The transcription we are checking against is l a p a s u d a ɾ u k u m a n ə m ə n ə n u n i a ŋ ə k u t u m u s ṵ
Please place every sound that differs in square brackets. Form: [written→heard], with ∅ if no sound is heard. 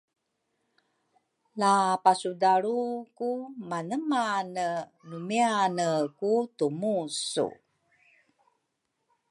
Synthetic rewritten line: l a p a s u d a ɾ u k u m a n ə m [ə→a] n ə n u [n→m] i a [ŋ→n] ə k u t u m u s ṵ